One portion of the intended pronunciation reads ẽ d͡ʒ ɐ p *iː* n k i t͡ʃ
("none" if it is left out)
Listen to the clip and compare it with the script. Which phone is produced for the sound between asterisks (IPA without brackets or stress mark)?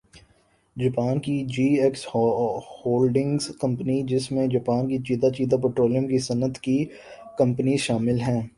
aː